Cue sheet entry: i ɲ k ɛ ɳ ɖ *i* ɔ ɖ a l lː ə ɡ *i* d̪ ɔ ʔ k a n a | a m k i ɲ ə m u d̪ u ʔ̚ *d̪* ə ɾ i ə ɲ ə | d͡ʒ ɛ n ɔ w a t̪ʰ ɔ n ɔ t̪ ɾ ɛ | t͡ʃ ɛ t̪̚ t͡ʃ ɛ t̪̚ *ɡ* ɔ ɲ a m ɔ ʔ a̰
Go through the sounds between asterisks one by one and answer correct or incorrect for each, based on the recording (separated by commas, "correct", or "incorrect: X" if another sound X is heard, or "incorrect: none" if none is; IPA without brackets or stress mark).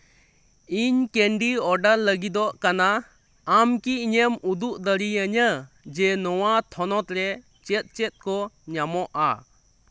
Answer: correct, correct, correct, incorrect: k